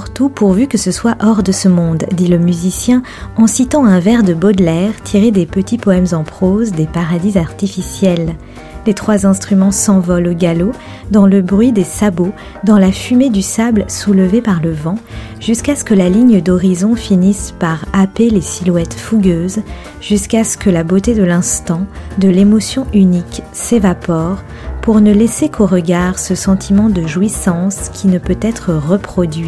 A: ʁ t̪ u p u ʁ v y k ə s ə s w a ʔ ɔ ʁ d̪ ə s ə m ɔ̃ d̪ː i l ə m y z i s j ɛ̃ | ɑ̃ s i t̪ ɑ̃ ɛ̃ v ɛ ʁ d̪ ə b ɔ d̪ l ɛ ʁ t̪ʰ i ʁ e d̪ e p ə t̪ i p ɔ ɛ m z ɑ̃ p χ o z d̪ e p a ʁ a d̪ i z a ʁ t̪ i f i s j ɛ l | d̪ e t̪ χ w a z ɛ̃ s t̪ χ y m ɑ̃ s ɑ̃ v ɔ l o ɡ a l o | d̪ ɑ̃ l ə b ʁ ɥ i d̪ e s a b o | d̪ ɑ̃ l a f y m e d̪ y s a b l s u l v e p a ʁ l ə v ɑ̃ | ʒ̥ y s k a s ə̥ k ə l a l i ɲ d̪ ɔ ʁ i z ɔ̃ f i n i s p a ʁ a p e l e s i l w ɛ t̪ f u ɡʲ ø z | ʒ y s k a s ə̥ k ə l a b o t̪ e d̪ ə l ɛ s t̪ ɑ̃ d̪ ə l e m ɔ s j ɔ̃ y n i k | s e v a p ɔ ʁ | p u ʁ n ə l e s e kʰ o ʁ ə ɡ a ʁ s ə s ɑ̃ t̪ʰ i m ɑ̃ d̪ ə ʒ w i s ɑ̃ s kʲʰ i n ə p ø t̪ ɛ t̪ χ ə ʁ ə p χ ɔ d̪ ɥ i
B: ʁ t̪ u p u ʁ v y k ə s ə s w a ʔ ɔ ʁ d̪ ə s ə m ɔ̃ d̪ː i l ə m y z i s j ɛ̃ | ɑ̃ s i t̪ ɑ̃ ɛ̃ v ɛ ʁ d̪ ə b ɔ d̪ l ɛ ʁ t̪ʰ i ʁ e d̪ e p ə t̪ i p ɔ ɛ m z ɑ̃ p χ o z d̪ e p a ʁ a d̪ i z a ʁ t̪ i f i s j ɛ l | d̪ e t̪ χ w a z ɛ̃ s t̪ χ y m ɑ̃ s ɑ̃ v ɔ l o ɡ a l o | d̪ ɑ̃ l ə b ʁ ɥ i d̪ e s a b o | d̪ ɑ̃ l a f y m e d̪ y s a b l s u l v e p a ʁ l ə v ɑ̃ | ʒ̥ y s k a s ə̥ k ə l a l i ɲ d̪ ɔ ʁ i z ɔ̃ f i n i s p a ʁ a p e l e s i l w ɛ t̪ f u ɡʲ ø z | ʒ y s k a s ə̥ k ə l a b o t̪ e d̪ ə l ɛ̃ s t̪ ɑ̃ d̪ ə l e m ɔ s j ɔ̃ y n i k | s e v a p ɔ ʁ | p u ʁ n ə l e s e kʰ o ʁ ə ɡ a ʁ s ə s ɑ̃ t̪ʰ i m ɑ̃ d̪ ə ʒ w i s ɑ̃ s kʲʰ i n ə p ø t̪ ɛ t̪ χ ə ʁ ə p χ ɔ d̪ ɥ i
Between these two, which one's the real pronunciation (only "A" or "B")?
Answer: B